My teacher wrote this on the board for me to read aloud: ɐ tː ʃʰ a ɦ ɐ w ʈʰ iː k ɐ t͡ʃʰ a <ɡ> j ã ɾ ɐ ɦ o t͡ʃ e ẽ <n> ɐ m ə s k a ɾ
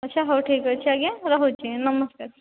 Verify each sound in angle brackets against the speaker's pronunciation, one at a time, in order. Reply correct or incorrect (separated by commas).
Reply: correct, correct